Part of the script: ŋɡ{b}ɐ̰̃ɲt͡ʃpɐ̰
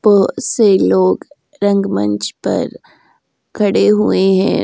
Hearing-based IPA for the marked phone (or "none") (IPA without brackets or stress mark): m